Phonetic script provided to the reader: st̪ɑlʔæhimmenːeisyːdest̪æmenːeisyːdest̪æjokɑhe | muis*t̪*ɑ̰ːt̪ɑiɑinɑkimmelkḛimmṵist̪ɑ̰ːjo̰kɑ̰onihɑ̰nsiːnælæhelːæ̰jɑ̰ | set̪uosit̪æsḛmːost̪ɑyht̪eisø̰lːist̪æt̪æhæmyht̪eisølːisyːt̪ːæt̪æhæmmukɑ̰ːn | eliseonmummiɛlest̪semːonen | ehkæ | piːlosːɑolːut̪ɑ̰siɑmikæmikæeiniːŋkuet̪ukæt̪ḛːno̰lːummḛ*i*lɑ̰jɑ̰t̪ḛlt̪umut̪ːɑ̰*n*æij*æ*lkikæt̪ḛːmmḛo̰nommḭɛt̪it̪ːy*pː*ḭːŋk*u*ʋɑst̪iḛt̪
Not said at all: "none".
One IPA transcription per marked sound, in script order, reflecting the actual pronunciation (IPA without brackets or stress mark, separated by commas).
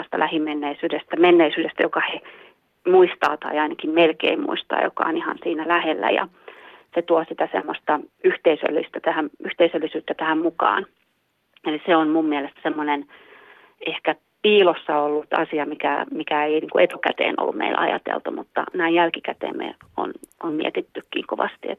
t̪, i, n, æ, kː, o